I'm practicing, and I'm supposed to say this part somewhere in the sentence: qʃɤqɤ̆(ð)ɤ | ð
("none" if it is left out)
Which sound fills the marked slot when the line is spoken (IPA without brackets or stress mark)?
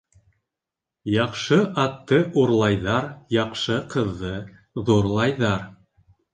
ðː